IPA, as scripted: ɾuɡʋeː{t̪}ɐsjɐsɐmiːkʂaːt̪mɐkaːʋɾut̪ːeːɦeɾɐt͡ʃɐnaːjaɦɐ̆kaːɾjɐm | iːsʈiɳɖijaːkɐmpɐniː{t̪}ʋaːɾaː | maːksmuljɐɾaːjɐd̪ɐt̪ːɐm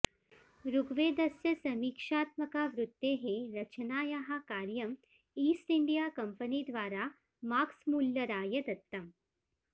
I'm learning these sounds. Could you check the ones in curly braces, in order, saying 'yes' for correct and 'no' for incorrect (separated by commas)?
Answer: no, no